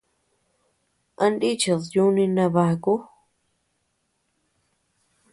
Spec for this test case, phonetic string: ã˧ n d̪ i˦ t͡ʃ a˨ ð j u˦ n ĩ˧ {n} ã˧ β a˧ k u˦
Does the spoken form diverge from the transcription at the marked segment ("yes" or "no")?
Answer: no